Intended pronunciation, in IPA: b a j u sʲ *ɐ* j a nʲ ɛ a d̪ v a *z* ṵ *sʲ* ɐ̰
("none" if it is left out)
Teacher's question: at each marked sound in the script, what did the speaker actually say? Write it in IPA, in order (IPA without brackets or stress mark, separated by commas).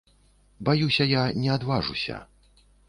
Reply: ɐ, ʐ, sʲ